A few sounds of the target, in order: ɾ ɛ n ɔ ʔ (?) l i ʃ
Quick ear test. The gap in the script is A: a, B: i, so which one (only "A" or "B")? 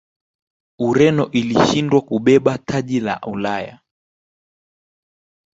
B